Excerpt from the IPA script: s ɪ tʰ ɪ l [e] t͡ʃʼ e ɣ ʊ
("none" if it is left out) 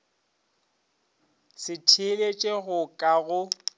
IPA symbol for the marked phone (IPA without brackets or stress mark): e